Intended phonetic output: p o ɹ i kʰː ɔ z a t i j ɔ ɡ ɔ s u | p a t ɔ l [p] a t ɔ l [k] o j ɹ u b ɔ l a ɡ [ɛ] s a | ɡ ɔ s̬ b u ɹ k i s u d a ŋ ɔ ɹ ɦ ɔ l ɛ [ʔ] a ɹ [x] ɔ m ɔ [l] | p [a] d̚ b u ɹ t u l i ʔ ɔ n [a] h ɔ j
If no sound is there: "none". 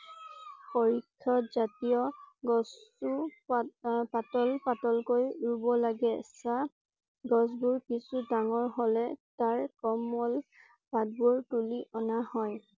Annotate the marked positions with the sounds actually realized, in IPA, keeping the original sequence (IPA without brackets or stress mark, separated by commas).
p, k, ɛ, t, k, l, a, a